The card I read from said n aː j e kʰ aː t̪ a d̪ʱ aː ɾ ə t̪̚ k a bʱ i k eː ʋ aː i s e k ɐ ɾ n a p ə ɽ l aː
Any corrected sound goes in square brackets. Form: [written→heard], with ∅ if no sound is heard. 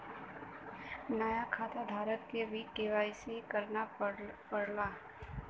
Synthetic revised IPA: n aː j [e→a] kʰ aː t̪ a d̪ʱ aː ɾ ə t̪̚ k [a→e] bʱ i k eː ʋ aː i s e k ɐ ɾ n a p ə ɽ l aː